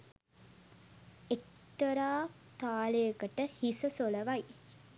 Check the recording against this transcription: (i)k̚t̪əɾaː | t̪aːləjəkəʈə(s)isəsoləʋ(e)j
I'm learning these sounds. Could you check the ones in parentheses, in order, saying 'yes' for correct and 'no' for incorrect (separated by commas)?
no, no, no